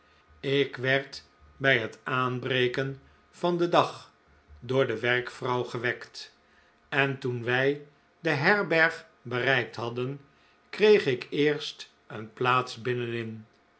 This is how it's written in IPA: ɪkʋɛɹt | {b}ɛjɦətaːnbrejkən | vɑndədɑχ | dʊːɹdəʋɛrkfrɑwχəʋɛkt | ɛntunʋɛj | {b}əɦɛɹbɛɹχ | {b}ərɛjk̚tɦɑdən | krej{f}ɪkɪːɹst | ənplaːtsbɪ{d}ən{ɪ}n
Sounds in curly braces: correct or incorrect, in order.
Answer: correct, incorrect: d, correct, incorrect: χ, incorrect: n, correct

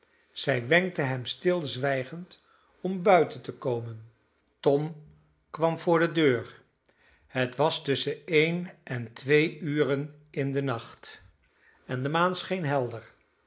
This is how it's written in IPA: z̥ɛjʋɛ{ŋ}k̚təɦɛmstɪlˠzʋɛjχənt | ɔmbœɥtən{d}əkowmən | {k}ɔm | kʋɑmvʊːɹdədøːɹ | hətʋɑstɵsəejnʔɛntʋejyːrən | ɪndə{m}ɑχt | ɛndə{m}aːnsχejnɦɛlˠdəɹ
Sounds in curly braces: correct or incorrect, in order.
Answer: correct, incorrect: t, incorrect: t, incorrect: n, correct

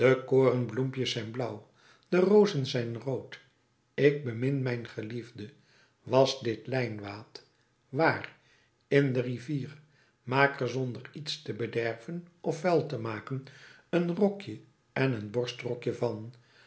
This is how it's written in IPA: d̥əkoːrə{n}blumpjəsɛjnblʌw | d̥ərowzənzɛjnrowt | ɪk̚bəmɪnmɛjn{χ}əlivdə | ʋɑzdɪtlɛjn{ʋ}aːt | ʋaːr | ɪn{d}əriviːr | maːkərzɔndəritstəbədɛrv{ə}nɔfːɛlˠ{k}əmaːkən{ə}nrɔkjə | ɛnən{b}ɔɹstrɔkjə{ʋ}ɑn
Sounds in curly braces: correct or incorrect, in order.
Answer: correct, correct, correct, correct, correct, incorrect: t, correct, correct, incorrect: v

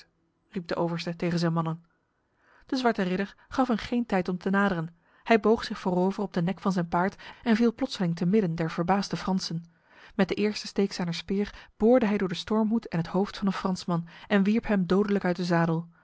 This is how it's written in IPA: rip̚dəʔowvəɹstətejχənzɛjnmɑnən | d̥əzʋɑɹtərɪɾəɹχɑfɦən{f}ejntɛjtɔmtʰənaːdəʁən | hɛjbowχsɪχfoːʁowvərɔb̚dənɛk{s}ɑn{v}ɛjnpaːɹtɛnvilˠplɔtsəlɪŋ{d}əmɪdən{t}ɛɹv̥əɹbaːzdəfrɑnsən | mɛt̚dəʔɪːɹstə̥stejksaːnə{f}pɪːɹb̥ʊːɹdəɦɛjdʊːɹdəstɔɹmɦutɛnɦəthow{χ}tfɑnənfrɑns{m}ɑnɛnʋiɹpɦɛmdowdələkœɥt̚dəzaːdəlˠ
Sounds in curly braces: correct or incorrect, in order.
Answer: incorrect: χ, incorrect: f, incorrect: z, incorrect: t, incorrect: d, incorrect: s, incorrect: f, correct

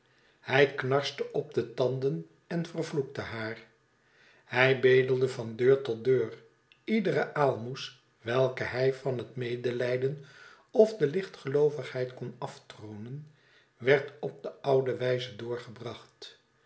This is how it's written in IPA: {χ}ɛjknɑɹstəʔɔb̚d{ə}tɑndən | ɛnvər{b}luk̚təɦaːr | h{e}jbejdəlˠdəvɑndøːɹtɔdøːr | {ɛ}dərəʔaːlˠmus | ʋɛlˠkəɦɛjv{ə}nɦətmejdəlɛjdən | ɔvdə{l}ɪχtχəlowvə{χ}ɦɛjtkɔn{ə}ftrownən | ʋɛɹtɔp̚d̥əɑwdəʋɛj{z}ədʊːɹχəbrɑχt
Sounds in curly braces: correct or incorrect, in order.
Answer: incorrect: h, correct, incorrect: v, incorrect: ɛ, incorrect: i, incorrect: ɑ, correct, correct, incorrect: ɑ, correct

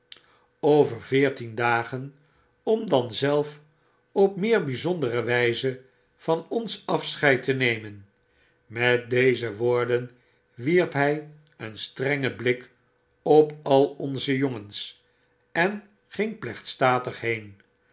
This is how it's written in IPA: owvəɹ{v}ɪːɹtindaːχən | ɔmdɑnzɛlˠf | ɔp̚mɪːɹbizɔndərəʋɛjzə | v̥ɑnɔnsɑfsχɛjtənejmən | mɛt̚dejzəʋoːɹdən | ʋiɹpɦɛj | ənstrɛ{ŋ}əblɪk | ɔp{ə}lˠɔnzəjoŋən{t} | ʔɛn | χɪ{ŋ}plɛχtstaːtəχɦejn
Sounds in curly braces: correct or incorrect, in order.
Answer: correct, correct, incorrect: ɑ, incorrect: s, correct

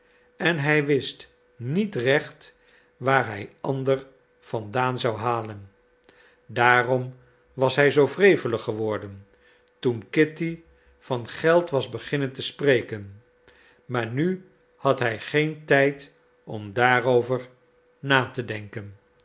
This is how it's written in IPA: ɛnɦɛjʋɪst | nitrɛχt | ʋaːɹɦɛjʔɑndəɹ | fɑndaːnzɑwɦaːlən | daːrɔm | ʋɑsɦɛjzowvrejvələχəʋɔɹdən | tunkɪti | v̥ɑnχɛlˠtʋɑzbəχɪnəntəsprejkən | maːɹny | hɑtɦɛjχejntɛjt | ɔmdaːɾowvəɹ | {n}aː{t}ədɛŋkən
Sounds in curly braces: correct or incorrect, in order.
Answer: correct, correct

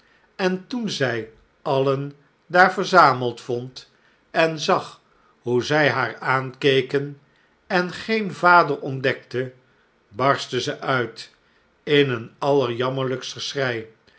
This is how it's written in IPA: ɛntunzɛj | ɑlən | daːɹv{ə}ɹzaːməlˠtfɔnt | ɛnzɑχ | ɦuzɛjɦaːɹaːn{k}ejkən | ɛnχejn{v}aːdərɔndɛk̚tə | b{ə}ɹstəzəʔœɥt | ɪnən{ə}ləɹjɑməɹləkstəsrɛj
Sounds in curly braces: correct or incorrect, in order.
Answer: correct, correct, correct, incorrect: ɑ, incorrect: ɑ

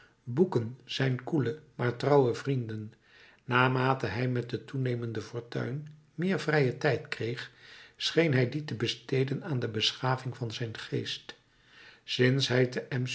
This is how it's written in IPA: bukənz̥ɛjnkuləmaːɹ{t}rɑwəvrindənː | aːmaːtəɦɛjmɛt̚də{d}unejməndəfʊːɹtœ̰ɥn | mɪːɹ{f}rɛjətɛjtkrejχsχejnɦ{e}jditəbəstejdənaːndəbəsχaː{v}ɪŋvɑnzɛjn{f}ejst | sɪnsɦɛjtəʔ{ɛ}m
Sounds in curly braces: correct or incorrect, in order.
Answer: correct, incorrect: t, incorrect: v, incorrect: ɛ, correct, incorrect: χ, correct

